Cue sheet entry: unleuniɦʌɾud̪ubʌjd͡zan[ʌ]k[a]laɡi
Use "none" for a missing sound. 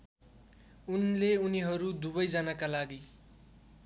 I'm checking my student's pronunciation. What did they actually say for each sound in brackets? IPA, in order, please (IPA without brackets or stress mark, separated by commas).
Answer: a, a